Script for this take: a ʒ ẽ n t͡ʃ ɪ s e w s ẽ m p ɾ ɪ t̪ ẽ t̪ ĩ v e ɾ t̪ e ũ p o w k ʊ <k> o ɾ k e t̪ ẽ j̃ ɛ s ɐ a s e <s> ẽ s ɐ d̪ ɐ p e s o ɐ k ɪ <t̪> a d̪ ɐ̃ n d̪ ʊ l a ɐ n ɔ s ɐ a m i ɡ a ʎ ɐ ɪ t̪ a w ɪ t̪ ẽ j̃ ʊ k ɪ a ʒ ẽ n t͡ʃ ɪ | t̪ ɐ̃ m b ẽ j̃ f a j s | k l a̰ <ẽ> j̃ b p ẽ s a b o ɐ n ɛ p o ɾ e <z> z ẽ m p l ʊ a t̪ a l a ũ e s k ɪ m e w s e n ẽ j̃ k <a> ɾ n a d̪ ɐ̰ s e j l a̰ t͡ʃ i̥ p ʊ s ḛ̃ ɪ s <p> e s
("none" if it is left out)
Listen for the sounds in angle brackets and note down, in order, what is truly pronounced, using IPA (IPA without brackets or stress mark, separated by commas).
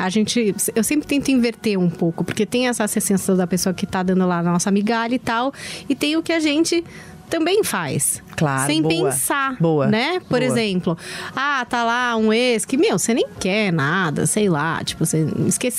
p, s, t̪, ẽ, z, ɛ, k